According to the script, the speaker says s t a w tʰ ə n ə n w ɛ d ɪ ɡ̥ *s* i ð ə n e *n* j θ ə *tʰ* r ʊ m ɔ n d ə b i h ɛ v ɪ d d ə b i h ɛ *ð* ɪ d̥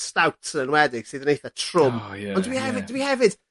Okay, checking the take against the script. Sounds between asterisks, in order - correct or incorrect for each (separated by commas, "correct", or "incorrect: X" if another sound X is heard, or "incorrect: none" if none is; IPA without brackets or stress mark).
correct, incorrect: none, correct, incorrect: v